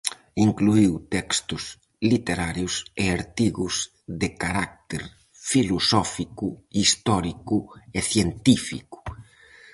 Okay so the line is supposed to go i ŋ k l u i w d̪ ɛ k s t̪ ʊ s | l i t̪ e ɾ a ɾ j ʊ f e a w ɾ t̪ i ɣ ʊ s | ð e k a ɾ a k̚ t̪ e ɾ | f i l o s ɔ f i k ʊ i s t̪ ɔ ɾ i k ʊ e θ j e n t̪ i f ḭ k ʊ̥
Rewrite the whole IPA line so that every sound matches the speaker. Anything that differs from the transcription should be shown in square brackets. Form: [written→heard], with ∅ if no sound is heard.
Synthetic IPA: i ŋ k l u i w [d̪→t̪] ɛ k s t̪ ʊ s | l i t̪ e ɾ a ɾ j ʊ [f→s] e a [w→∅] ɾ t̪ i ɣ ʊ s | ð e k a ɾ a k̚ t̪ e ɾ | f i l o s ɔ f i k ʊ i s t̪ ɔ ɾ i k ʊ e θ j e n t̪ i f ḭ k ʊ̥